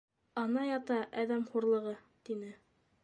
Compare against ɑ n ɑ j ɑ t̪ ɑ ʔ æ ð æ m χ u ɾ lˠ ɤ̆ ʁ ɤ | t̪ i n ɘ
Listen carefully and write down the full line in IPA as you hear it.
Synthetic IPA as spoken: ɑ n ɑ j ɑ t̪ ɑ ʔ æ ð æ m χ u ɾ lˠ ɤ̆ ʁ ɤ | t̪ i n ɘ